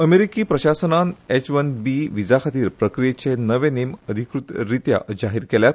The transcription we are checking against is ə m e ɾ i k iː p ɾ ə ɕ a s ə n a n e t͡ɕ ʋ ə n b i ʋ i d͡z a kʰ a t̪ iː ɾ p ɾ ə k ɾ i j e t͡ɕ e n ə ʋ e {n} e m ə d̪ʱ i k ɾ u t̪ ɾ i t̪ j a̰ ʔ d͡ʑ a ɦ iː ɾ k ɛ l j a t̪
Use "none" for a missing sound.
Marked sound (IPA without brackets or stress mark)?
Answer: n